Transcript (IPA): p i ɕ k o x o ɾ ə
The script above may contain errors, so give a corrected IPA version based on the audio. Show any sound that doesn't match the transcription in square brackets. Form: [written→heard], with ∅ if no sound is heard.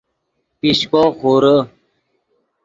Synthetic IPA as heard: p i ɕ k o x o ɾ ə